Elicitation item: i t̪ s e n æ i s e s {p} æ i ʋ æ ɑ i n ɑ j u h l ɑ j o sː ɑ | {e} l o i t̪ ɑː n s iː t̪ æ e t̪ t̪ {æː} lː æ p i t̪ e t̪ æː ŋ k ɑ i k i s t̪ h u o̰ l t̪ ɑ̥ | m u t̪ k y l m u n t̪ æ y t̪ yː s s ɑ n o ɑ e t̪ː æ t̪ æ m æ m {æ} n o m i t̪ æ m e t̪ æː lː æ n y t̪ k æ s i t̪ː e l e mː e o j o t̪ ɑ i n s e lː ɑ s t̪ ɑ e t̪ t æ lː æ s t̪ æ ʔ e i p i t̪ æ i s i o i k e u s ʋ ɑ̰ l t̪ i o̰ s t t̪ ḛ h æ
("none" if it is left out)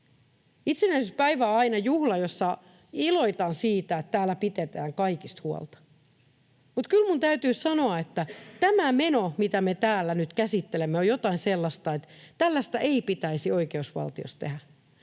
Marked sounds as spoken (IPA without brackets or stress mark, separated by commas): p, i, æː, e